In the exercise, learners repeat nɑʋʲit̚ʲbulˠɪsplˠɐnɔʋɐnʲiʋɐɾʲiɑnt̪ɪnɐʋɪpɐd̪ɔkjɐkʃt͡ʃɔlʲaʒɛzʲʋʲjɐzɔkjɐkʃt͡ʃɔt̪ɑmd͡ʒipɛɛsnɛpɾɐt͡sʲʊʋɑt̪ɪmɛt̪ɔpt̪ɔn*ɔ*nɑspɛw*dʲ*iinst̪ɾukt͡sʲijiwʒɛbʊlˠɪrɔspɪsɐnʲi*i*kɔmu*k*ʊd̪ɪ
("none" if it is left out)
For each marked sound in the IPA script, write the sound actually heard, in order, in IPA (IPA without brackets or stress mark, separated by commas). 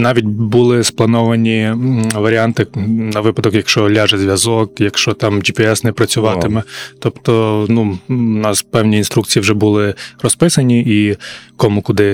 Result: u, nʲ, i, k